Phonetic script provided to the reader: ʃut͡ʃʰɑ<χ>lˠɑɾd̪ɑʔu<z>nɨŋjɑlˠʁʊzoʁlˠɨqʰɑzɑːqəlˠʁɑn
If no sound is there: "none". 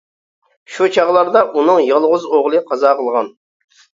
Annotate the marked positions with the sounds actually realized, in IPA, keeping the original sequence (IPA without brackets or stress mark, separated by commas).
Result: ʁ, none